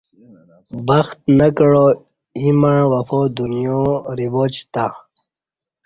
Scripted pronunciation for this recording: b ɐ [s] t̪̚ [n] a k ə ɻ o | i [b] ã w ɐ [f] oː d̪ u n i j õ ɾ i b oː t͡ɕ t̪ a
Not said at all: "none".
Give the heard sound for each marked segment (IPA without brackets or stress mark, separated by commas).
x, n, m, f